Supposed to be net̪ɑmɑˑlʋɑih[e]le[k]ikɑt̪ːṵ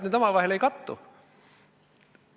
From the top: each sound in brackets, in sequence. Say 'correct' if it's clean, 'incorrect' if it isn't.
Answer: correct, incorrect: none

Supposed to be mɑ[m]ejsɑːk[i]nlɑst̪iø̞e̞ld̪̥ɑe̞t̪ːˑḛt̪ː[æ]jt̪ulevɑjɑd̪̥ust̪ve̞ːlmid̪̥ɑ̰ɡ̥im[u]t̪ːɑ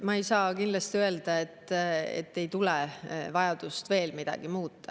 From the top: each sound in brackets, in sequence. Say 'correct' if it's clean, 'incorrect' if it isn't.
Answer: incorrect: none, correct, incorrect: e, incorrect: uː

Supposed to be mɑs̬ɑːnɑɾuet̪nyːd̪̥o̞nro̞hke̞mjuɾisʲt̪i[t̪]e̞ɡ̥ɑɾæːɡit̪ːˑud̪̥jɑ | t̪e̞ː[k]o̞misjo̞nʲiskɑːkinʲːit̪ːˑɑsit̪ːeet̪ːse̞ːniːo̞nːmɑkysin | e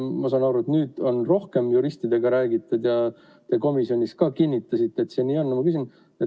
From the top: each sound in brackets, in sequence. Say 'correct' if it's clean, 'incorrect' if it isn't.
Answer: incorrect: d̪, correct

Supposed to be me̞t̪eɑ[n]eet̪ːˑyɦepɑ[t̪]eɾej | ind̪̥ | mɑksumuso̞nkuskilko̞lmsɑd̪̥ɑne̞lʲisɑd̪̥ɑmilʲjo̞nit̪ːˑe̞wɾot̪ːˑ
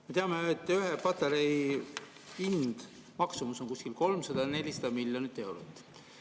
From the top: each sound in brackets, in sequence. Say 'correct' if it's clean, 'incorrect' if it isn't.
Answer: incorrect: m, correct

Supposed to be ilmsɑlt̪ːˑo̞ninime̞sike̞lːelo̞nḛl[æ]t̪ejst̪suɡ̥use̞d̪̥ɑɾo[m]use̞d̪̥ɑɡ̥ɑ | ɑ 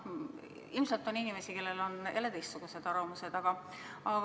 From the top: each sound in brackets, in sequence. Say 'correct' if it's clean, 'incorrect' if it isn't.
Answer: incorrect: e, correct

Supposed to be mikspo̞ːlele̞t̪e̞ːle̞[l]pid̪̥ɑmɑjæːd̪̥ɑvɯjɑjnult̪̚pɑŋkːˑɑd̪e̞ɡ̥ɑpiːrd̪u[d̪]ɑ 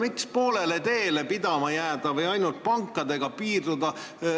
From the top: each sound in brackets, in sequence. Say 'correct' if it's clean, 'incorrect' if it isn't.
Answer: incorrect: none, correct

